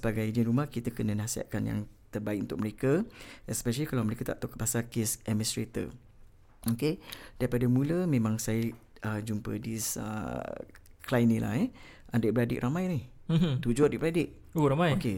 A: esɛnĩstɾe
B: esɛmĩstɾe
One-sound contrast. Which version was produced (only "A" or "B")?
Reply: B